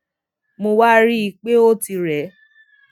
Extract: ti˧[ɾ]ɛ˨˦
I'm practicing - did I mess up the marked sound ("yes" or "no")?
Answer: no